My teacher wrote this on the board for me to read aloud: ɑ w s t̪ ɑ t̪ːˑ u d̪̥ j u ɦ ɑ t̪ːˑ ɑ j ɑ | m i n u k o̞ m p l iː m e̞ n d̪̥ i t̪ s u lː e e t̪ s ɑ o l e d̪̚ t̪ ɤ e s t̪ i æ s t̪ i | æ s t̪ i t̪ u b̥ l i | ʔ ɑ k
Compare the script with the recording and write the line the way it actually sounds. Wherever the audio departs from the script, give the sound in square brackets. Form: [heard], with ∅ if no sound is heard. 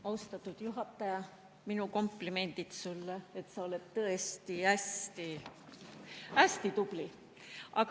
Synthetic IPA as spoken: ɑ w s t̪ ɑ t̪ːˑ u d̪̥ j u ɦ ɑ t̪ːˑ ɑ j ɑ | m i n u k o̞ m p l [i] m e̞ n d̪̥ i t̪ s u lː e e t̪ s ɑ o l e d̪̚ t̪ ɤ e s t̪ i æ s t̪ i | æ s t̪ i t̪ u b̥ l i | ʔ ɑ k